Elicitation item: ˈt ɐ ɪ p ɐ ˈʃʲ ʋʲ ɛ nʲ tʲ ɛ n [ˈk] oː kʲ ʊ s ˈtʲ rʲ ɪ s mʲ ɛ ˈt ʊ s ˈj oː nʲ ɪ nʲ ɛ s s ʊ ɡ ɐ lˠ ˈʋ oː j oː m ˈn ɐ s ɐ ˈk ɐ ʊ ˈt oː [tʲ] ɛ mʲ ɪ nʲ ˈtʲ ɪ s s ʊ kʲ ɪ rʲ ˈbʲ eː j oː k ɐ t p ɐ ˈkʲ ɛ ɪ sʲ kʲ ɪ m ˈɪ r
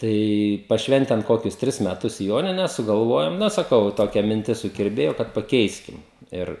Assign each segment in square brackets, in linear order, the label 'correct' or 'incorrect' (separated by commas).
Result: correct, incorrect